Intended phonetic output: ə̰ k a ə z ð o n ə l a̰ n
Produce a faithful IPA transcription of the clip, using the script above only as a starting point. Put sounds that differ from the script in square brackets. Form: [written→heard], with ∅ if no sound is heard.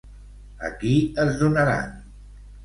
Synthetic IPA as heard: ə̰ k [a→i] ə z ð [o→u] n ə [l→ɾ] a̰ n